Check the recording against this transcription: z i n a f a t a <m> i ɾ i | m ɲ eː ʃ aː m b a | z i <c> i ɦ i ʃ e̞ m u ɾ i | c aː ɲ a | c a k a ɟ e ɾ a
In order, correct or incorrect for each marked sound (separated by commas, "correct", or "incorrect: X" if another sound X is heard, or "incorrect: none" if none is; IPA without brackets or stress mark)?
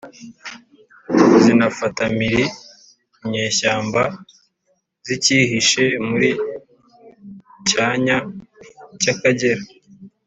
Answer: correct, correct